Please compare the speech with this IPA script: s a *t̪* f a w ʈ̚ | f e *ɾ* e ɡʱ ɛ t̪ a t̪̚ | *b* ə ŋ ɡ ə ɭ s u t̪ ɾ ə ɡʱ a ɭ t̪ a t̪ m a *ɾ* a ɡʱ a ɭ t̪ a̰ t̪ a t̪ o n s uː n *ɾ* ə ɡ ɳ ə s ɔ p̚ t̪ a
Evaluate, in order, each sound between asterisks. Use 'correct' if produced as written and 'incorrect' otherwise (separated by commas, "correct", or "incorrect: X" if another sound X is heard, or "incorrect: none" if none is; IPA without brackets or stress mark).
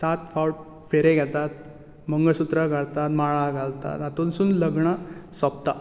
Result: correct, correct, incorrect: m, incorrect: ɭ, incorrect: l